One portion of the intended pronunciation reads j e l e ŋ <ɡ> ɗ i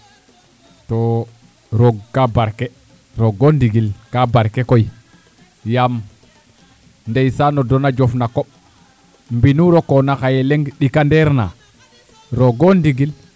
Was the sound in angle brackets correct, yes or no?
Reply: yes